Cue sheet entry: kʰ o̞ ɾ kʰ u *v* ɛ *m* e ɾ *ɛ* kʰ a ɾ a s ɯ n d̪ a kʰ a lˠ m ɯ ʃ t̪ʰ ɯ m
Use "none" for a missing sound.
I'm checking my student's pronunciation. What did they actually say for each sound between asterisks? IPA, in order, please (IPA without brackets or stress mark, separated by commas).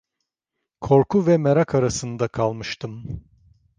v, m, a